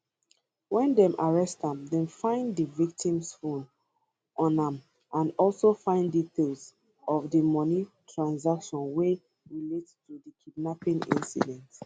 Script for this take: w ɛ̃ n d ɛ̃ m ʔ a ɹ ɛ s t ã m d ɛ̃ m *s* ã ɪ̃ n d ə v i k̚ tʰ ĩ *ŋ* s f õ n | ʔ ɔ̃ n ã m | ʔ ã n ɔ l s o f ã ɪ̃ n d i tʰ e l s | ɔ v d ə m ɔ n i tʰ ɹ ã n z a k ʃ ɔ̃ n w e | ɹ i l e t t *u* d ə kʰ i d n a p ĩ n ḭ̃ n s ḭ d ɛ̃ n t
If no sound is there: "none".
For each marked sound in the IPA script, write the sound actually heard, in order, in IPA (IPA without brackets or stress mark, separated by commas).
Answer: f, m, u